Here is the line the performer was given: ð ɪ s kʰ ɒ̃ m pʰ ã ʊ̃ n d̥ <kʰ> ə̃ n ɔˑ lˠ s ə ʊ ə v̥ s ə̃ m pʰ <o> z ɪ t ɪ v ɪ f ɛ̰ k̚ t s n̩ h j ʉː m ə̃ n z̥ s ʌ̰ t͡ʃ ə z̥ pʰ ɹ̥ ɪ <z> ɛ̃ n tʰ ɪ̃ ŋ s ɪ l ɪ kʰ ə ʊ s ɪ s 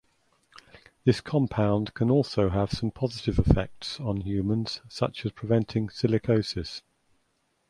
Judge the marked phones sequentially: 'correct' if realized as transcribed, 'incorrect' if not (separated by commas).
correct, incorrect, incorrect